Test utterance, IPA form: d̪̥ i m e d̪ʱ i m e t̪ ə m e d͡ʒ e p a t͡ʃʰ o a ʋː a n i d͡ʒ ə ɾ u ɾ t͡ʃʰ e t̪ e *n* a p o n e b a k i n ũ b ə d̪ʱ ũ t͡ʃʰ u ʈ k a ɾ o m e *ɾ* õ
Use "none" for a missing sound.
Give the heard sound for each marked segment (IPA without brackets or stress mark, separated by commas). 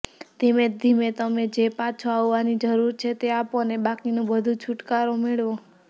none, ɭ